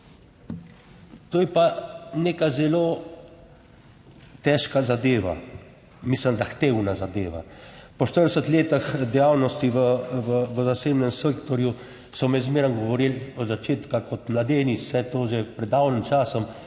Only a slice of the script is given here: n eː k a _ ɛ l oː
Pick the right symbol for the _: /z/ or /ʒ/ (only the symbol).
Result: z